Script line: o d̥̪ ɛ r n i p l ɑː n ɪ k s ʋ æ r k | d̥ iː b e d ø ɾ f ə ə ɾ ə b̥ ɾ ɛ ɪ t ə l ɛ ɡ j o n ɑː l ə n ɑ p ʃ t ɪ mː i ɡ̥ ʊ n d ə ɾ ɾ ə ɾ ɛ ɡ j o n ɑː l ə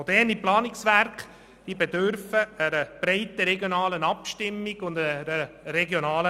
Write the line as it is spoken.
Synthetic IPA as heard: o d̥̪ ɛ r n i p l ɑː n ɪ k s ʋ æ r k | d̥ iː b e d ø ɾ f ə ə ɾ ə b̥ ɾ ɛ ɪ t ə ɾ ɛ ɡ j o n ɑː l ə n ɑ p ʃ t ɪ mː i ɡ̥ ʊ n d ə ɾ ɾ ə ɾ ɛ ɡ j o n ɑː l ə